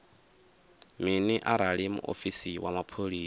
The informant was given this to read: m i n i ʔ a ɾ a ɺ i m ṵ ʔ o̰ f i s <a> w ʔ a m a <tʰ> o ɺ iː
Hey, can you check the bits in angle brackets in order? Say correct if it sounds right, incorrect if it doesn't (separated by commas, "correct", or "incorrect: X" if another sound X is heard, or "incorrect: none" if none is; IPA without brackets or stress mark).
incorrect: i, incorrect: pʰ